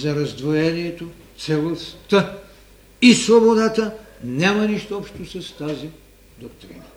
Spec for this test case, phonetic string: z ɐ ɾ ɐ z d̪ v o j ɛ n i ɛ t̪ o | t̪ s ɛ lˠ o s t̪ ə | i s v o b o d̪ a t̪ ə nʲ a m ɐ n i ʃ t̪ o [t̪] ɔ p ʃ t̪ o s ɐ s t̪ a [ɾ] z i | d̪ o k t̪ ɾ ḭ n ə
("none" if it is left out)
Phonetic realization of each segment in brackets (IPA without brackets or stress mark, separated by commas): none, none